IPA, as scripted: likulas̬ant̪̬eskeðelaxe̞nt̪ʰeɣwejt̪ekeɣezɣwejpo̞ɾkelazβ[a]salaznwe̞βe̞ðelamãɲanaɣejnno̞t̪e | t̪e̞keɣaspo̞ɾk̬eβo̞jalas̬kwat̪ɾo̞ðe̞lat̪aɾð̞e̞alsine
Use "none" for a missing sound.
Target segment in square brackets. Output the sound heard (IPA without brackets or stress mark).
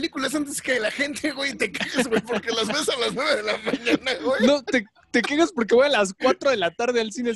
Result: e